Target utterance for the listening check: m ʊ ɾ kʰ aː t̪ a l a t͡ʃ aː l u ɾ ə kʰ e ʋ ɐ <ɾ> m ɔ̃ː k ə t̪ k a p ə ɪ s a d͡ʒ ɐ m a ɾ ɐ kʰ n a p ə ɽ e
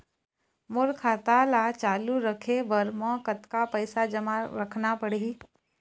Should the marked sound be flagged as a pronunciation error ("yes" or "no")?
no